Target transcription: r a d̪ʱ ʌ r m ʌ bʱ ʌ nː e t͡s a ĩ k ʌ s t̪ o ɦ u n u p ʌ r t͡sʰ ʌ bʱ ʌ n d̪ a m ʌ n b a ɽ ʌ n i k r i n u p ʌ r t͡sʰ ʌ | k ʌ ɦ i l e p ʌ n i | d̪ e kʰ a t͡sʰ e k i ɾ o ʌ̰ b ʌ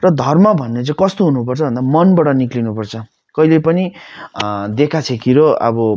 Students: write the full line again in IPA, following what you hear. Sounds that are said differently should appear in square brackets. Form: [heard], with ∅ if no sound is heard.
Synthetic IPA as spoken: r [ʌ] d̪ʱ ʌ r m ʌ bʱ ʌ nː e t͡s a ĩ k ʌ s t̪ o ɦ u n u p ʌ r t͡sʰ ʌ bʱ ʌ n d̪ a m ʌ n b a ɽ ʌ n i k [l] i n u p ʌ r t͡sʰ ʌ | k ʌ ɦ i l e p ʌ n i | d̪ e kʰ a t͡sʰ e k i ɾ o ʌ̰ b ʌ